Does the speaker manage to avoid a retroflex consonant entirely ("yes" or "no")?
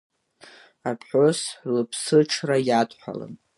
no